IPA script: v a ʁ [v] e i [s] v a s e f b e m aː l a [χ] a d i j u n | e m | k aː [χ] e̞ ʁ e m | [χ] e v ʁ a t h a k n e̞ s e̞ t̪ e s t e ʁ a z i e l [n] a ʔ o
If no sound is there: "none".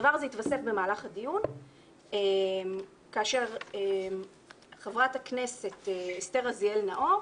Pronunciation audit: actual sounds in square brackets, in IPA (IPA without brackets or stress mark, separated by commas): z, t, χ, ʃ, χ, n